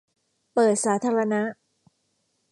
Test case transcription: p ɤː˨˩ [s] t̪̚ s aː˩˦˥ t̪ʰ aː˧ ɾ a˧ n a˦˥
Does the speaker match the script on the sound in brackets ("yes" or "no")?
no